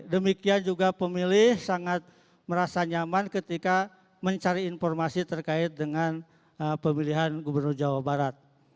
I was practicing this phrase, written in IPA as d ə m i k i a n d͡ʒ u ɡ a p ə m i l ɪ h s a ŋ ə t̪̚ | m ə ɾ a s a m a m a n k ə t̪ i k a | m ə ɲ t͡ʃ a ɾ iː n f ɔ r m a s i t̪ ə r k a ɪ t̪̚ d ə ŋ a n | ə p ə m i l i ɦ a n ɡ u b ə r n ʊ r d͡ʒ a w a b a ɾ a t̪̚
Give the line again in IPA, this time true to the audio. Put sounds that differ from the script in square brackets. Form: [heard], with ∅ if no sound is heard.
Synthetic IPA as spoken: d ə m i k i a n d͡ʒ u ɡ a p ə m i l ɪ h s a ŋ [a] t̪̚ | m ə ɾ a s a [ɲ] a m a n k ə t̪ i k a | m ə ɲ t͡ʃ a ɾ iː n f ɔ r m a s i t̪ ə r k a ɪ t̪̚ d ə ŋ a n | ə p ə m i l i ɦ a n ɡ u b ə r n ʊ r d͡ʒ a w a b a ɾ a t̪̚